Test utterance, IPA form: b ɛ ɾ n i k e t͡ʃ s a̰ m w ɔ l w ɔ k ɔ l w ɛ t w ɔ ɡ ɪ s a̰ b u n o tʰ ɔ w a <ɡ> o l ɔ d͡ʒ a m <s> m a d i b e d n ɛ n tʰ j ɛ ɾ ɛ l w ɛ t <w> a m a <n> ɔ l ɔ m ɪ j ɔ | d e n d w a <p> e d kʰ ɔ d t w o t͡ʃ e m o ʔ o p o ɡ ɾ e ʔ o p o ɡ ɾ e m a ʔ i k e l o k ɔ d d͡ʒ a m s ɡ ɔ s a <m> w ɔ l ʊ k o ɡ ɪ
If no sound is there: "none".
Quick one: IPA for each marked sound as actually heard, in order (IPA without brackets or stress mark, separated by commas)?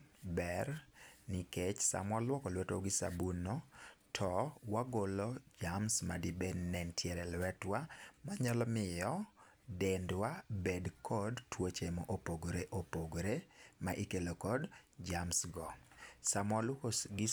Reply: ɡ, s, w, ɲ, b, m